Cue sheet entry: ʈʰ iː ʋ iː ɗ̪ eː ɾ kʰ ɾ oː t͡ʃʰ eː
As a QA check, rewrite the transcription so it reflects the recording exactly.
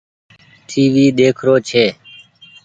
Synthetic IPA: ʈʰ iː ʋ iː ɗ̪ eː kʰ ɾ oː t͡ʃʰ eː